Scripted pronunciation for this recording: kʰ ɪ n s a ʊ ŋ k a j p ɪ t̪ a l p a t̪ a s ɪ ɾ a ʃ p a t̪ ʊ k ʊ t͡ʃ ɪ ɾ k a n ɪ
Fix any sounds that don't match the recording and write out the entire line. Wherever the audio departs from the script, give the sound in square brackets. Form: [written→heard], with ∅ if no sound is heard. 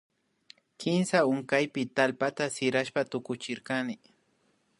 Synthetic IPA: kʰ ɪ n s a ʊ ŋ k a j p ɪ t̪ a l p a t̪ a s ɪ ɾ a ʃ p a t̪ ʊ k ʊ t͡ʃ ɪ ɾ k a n ɪ